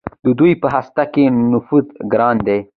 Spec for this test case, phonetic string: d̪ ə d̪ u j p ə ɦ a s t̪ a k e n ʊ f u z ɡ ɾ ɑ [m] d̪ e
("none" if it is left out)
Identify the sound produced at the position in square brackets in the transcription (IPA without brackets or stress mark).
n